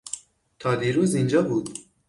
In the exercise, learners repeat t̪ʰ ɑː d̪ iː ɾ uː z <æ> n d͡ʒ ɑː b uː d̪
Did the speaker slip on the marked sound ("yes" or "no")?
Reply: yes